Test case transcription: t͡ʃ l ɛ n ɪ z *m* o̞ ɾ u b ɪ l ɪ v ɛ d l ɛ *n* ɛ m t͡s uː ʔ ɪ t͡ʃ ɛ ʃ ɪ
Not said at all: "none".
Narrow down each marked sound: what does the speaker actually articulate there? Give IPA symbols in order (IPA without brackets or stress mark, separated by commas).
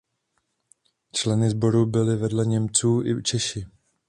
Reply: b, ɲ